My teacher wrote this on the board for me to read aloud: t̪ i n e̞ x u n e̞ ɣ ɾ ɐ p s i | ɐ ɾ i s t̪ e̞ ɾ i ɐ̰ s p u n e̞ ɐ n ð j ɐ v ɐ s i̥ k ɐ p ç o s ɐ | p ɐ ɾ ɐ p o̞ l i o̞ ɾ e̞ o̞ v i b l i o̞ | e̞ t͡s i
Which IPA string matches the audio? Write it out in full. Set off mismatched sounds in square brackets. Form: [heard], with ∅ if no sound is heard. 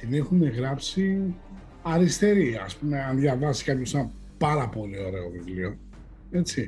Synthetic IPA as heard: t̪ i n e̞ x u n e̞ ɣ ɾ ɐ p s i | ɐ ɾ i s t̪ e̞ ɾ i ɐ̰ s p u [m] e̞ ɐ n ð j ɐ v ɐ s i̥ k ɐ p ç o s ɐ | p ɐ ɾ ɐ p o̞ l i o̞ ɾ e̞ o̞ v i [v] l i o̞ | e̞ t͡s i